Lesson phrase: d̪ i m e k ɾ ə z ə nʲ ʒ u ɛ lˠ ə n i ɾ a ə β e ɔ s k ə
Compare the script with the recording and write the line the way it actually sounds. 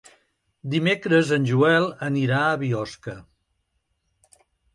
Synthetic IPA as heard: d̪ i m e k ɾ ə z ə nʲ ʒ u ɛ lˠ ə n i ɾ a ə β i ɔ s k ə